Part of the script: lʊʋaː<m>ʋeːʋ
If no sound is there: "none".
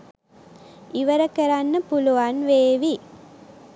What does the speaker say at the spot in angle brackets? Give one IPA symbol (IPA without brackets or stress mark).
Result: n